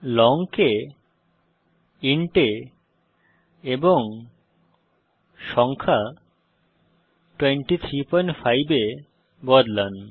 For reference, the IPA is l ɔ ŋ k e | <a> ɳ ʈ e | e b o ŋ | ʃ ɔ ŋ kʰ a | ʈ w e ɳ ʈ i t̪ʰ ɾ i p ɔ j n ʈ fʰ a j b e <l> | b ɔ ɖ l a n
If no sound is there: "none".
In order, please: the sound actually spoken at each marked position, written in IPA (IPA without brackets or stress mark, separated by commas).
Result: i, none